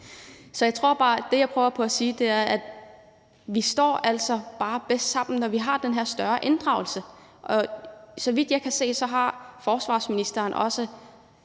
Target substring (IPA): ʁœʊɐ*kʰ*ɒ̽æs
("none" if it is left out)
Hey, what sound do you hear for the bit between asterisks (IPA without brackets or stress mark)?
pʰ